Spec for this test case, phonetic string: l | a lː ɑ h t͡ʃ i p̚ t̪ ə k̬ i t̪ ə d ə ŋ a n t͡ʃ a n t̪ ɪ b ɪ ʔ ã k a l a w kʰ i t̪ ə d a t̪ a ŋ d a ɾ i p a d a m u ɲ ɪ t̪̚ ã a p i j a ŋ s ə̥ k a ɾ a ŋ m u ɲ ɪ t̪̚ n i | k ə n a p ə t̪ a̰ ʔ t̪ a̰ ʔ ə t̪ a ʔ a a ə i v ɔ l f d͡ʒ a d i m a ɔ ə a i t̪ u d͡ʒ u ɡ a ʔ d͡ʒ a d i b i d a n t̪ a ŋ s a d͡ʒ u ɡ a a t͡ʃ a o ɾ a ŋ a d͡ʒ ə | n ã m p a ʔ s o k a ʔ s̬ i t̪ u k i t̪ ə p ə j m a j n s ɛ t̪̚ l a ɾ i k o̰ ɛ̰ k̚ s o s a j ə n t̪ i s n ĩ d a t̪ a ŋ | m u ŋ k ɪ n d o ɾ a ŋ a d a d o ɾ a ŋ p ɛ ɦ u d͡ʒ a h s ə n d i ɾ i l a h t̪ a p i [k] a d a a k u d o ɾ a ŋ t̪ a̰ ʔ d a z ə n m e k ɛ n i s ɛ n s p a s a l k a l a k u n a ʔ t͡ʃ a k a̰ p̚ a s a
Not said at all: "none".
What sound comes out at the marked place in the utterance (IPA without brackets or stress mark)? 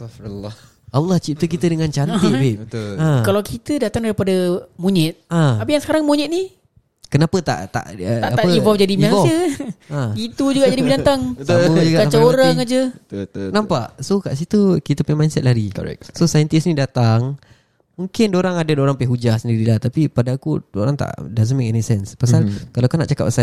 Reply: p